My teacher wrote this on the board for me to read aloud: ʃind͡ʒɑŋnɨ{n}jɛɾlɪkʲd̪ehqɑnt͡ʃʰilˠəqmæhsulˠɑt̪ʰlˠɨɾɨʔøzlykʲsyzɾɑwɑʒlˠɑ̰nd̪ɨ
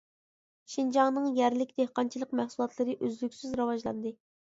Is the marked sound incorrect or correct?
incorrect